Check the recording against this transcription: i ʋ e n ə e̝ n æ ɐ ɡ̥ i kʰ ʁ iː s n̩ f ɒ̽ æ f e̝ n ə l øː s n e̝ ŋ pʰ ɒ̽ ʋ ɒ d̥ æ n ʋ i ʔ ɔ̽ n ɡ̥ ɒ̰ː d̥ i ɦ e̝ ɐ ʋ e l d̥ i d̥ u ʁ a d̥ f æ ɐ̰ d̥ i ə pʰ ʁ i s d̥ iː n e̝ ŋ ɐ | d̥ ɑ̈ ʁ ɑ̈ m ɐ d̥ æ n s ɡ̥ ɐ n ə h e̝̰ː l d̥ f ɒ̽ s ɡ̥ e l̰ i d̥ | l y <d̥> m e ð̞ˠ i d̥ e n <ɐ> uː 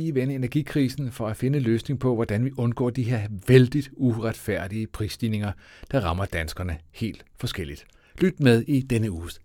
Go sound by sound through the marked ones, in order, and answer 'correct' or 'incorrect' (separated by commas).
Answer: correct, incorrect